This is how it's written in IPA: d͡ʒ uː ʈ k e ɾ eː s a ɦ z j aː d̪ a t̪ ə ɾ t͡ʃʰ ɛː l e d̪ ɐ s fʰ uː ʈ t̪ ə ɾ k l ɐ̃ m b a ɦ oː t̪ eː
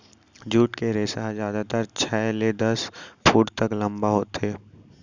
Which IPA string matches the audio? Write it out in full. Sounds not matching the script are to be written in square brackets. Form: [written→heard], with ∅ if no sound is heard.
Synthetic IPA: d͡ʒ uː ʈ k e ɾ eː s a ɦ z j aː d̪ a t̪ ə ɾ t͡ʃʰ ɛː l e d̪ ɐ s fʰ uː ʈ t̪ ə [ɾ→∅] k l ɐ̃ m b a ɦ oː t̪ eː